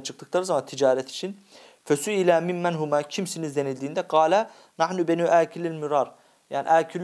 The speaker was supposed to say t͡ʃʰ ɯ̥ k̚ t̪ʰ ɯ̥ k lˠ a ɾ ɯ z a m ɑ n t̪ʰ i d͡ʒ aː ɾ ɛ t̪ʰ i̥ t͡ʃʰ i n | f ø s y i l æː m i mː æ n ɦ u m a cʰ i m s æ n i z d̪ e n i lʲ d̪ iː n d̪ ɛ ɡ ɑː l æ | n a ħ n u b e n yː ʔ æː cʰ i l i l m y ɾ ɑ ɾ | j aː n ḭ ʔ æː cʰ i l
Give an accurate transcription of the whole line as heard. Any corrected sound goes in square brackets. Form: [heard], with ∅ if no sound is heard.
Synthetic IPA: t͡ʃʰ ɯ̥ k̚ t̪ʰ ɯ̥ k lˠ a ɾ ɯ z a m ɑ n t̪ʰ i d͡ʒ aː ɾ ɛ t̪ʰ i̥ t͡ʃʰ i n | f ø s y i l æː m i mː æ n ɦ u m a cʰ i m s [i] n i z d̪ e n i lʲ d̪ iː n d̪ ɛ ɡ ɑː l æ | n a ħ n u b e n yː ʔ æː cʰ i l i l m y ɾ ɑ ɾ | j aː n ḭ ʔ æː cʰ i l